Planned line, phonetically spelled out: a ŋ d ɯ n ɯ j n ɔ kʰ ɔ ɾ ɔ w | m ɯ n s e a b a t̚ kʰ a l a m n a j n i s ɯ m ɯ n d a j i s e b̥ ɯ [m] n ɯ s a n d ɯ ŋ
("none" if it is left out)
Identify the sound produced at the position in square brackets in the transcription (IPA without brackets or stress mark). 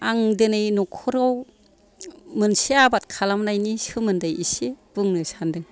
ŋ